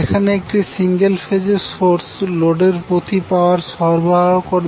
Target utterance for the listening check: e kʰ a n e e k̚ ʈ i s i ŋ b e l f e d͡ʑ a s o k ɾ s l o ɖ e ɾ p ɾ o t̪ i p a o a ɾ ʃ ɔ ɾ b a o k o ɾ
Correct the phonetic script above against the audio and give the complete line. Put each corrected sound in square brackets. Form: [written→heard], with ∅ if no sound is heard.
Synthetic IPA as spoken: e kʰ a n e e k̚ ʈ i s i ŋ [b→ɡ] e l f e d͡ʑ [a→e] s o [k→∅] ɾ s l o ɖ e ɾ p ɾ o t̪ i p a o a ɾ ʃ ɔ ɾ b a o k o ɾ